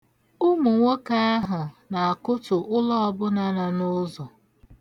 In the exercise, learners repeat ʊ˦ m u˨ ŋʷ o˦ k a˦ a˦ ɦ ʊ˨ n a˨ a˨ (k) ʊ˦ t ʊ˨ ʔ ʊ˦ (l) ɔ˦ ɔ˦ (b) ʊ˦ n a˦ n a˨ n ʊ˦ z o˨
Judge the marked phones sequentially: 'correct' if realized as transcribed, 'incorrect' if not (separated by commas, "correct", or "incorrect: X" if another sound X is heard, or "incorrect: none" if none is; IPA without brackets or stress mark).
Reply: correct, correct, correct